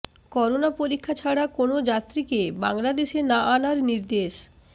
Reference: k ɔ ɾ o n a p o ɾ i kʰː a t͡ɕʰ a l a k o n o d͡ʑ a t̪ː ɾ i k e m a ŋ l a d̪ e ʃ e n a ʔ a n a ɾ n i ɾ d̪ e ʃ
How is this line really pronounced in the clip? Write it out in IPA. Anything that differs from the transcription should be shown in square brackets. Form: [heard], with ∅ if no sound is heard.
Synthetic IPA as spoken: k ɔ ɾ o n a p o ɾ i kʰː a t͡ɕʰ a [ɽ] a k o n o d͡ʑ a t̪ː ɾ i k e [b] a ŋ l a d̪ e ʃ e n a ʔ a n a ɾ n i ɾ d̪ e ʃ

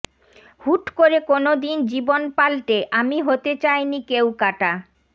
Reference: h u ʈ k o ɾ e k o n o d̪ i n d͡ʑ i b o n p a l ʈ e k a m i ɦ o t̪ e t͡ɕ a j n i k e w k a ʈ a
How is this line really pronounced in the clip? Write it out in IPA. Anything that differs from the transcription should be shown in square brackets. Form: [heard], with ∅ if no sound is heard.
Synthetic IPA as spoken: h u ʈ k o ɾ e k o n o d̪ i n d͡ʑ i b o n p a l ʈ e [ʔ] a m i ɦ o t̪ e t͡ɕ a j n i k e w k a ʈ a

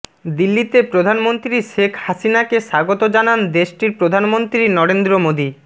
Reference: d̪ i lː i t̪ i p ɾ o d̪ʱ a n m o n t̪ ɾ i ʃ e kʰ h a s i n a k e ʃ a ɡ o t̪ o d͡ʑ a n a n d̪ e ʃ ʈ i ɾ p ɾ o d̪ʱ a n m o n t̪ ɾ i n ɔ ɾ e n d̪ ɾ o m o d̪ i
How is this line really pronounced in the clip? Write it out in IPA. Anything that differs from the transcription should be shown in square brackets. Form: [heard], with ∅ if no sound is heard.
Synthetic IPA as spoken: d̪ i lː i t̪ [e] p ɾ o d̪ʱ a n m o n t̪ ɾ i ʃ e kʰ h a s i n a k e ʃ a ɡ o t̪ o d͡ʑ a n a n d̪ e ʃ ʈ i ɾ p ɾ o d̪ʱ a n m o n t̪ ɾ i n ɔ ɾ e n d̪ ɾ o m o d̪ i

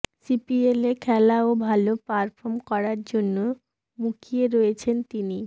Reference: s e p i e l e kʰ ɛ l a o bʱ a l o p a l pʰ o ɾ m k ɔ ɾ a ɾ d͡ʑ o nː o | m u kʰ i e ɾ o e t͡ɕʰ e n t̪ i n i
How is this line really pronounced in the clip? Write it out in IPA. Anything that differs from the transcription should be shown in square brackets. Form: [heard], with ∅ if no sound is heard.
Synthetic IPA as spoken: s [i] p i e l e kʰ ɛ l a o bʱ a l o p a [ɾ] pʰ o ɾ m k ɔ ɾ a ɾ d͡ʑ o nː o | m u kʰ i e ɾ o e t͡ɕʰ e n t̪ i n i

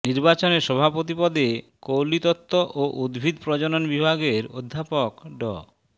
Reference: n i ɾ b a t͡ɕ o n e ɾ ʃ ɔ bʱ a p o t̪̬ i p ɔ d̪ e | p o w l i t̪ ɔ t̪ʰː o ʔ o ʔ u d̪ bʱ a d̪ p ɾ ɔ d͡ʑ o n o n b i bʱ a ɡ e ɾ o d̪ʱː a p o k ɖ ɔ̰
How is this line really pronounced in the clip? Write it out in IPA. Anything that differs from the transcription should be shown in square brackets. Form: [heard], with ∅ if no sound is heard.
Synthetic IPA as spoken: n i ɾ b a t͡ɕ o n e ɾ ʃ ɔ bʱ a p o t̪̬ i p ɔ d̪ e | [k] o w l i t̪ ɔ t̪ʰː o ʔ o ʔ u d̪ bʱ [i] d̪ p ɾ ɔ d͡ʑ o n o n b i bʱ a ɡ e ɾ o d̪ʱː a p o k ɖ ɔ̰

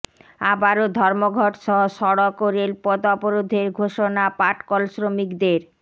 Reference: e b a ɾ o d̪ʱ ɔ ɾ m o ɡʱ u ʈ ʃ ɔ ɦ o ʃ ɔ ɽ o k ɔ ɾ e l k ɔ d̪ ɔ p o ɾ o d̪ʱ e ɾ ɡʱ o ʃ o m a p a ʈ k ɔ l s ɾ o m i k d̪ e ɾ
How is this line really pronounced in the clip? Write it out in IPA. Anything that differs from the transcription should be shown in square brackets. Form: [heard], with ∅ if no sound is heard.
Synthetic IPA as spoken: [a] b a ɾ o d̪ʱ ɔ ɾ m o ɡʱ [ɔ] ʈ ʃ ɔ ɦ o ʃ ɔ ɽ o k [o] ɾ e l [p] ɔ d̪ ɔ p o ɾ o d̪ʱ e ɾ ɡʱ o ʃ o [n] a p a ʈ k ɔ l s ɾ o m i k d̪ e ɾ

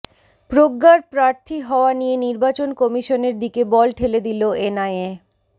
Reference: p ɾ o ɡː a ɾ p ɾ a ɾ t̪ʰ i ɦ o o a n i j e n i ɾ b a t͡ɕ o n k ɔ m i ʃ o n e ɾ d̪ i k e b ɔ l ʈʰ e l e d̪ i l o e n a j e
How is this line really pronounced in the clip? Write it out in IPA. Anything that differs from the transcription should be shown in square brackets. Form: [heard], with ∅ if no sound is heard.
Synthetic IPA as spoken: p ɾ o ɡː a ɾ p ɾ a ɾ t̪ʰ i ɦ [ɔ] o a n i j e n i ɾ b a t͡ɕ o n k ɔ m i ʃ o n e ɾ d̪ i k e b ɔ l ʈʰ e l e d̪ i l o e n a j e

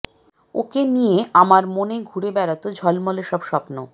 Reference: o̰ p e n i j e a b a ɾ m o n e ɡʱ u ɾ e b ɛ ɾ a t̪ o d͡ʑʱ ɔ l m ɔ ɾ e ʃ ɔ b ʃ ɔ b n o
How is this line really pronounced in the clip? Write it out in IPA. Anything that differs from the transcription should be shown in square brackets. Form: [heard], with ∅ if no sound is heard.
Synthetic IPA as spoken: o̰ [k] e n i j e a [m] a ɾ m o n e ɡʱ u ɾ e b ɛ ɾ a t̪ o d͡ʑʱ ɔ l m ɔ [l] e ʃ ɔ b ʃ ɔ [p] n o

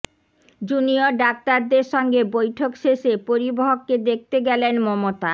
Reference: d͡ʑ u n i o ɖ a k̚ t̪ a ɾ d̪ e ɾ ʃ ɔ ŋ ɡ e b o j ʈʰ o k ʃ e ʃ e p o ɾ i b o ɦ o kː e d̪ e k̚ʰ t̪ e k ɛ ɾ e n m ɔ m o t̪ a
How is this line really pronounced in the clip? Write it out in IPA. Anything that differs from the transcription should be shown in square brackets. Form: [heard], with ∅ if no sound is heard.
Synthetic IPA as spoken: d͡ʑ u n i o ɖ a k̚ t̪ a ɾ d̪ e ɾ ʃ ɔ ŋ ɡ e b o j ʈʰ o k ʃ e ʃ e p o ɾ i b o ɦ o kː e d̪ e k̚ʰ t̪ e [ɡ] ɛ [l] e n m ɔ m o t̪ a

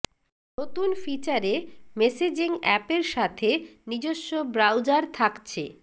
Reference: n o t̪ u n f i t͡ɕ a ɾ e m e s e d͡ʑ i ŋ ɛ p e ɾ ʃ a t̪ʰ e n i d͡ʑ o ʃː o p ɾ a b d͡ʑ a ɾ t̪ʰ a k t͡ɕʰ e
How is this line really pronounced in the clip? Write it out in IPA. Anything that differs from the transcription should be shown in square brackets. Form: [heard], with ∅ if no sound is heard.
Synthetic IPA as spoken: n o t̪ u n f i t͡ɕ a ɾ e m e s e d͡ʑ i ŋ ɛ p e ɾ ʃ a t̪ʰ e n i d͡ʑ o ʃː o [b] ɾ a [w] d͡ʑ a ɾ t̪ʰ a k t͡ɕʰ e

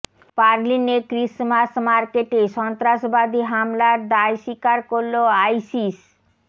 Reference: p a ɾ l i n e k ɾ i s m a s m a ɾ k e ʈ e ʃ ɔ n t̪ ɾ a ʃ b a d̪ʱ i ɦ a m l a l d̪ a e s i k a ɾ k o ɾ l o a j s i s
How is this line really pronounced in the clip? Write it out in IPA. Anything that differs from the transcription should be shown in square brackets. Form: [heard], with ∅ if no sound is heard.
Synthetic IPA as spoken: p a ɾ l i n e k ɾ i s m a s m a ɾ k e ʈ e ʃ ɔ n t̪ ɾ a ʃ b a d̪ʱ i ɦ a m l a [ɾ] d̪ a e [ʃ] i k a ɾ k o ɾ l o a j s i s

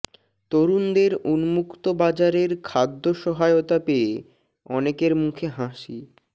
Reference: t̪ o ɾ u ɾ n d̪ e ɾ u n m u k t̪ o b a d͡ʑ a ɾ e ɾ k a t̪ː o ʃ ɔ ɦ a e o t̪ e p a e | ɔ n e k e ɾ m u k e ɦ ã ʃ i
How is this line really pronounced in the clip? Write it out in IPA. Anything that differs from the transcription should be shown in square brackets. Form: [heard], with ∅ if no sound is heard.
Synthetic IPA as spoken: t̪ o ɾ u [∅] n d̪ e ɾ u n m u k t̪ o b a d͡ʑ a ɾ e ɾ [kʰ] a [d̪ː] o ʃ ɔ ɦ a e o t̪ [a] p [e] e | ɔ n e k e ɾ m u [kʰ] e ɦ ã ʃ i

